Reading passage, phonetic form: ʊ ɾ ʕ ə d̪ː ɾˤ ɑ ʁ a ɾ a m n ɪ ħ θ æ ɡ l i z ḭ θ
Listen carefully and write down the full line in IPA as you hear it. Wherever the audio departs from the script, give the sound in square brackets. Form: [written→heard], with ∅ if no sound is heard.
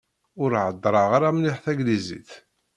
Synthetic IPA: ʊ ɾ ʕ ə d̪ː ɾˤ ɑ ʁ a ɾ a m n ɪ ħ θ æ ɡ l i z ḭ θ

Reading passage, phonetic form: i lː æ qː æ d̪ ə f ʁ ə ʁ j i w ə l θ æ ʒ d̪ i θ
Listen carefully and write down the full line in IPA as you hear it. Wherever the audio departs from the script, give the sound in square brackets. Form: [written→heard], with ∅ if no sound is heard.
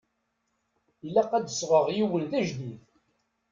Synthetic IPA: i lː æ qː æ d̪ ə [f→s] ʁ ə ʁ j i w ə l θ æ ʒ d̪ i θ

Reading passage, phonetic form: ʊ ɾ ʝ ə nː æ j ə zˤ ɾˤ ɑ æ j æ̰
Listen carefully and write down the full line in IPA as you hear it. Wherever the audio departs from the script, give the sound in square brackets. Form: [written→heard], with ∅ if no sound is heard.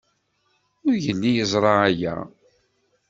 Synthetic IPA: ʊ ɾ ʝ ə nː [æ→i] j ə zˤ ɾˤ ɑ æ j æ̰

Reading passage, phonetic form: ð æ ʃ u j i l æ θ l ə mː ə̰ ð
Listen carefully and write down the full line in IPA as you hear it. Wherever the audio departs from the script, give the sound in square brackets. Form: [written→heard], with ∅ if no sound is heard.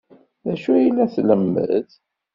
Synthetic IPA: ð æ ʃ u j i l æ θ l ə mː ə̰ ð

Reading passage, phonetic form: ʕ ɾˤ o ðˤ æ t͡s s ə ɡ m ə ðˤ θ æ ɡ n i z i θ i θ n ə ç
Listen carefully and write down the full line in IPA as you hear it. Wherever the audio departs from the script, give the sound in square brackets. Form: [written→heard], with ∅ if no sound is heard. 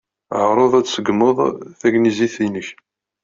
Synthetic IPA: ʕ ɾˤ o ðˤ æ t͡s s ə ɡ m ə ðˤ θ æ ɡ n i z i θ i [θ→∅] n ə ç

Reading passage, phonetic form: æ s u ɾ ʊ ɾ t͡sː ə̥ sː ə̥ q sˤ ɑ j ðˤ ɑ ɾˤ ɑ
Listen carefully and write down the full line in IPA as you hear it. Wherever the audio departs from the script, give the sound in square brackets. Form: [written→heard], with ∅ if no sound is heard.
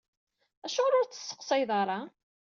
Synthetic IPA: æ [s→ʃ] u ɾ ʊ ɾ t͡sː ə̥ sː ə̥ q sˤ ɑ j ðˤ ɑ ɾˤ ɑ

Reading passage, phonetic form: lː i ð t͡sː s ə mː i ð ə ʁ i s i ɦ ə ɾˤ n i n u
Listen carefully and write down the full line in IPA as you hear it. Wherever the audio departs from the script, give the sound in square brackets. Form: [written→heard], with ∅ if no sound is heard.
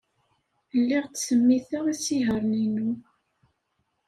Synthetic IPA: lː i [ð→ʁ] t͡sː s ə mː i [ð→θ] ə ʁ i s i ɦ ə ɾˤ n i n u

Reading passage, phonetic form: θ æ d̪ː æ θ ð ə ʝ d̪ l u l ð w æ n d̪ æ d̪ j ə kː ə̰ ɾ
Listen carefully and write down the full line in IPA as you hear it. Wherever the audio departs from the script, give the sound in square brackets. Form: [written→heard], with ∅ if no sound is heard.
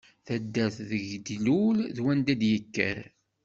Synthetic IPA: θ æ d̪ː æ θ ð ə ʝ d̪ l u l ð w æ n d̪ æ d̪ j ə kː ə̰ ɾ

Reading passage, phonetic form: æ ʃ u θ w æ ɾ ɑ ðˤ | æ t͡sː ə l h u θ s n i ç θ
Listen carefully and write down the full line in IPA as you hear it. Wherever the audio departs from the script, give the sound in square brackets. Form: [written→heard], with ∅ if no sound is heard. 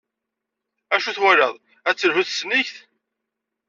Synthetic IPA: æ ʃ u θ w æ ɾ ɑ ðˤ | æ t͡sː ə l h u θ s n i ç θ

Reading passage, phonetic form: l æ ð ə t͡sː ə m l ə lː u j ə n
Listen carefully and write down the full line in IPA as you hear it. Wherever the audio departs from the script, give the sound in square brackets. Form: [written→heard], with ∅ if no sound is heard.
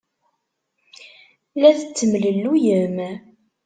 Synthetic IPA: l æ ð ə t͡sː ə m l ə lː u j ə [n→m]

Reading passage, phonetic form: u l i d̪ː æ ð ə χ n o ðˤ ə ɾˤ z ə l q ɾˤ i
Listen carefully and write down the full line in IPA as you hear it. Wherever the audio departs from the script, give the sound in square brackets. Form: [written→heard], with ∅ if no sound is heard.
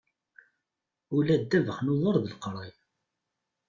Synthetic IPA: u l [i→æ] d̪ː æ [ð→v] ə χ n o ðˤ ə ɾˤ [z→ð] ə l q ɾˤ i

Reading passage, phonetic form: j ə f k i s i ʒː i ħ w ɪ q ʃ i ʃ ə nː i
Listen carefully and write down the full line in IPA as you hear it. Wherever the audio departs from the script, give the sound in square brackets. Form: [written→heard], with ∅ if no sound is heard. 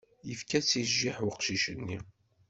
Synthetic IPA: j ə f k [i→æ] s i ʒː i ħ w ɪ q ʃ i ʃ ə nː i

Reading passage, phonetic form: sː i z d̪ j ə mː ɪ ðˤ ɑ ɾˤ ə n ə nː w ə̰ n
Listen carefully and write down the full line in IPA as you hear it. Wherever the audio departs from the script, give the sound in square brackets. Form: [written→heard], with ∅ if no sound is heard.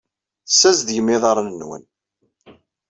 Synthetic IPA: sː [i→æ] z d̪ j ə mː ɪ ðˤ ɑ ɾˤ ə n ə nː w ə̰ n

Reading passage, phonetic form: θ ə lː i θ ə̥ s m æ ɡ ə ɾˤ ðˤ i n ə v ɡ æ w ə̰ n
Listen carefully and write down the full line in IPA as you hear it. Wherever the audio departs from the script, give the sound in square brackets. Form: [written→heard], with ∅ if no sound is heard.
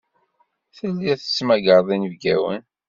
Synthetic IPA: θ ə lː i θ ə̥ s m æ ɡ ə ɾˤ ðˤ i n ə v ɡ æ w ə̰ n

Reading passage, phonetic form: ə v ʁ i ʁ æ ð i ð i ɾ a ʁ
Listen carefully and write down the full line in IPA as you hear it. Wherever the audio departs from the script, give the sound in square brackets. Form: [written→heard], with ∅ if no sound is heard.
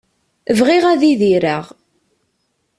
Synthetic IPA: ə v ʁ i ʁ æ ð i ð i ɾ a ʁ

